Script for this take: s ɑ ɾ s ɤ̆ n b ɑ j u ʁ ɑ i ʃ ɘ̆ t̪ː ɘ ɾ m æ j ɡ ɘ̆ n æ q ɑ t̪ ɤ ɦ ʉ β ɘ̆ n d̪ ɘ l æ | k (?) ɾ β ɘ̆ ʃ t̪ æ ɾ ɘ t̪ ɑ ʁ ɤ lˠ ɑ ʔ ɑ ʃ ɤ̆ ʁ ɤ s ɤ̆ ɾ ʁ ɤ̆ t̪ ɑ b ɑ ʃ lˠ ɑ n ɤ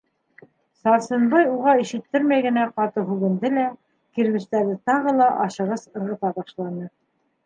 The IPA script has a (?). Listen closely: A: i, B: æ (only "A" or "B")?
A